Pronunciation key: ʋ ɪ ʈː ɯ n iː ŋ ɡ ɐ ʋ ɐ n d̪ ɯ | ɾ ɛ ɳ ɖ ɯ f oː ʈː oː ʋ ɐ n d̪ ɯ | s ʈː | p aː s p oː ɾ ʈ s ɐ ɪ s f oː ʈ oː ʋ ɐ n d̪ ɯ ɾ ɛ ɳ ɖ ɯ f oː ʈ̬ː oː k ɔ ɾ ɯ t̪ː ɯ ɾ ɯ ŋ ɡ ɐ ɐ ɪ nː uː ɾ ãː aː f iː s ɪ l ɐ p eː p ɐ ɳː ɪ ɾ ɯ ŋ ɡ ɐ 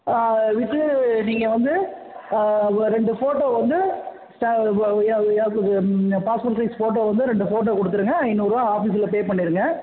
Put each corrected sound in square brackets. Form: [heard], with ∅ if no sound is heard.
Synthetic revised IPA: ʋ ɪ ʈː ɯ n iː ŋ ɡ ɐ ʋ ɐ n d̪ ɯ | ɾ ɛ ɳ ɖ ɯ f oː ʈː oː ʋ ɐ n d̪ ɯ | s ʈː | p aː s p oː ɾ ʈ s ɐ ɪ s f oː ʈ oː ʋ ɐ n d̪ ɯ ɾ ɛ ɳ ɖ ɯ f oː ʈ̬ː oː k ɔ [ɽ] ɯ t̪ː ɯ ɾ ɯ ŋ ɡ ɐ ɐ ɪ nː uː ɾ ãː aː f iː s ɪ l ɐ p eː p ɐ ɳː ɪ ɾ ɯ ŋ ɡ ɐ